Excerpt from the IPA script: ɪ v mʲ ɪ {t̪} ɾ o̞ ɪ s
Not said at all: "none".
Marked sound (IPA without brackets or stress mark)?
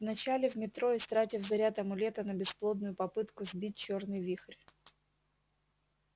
t̪